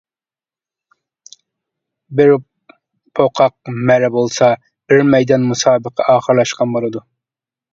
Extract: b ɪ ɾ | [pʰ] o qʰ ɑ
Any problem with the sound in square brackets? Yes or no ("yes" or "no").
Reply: no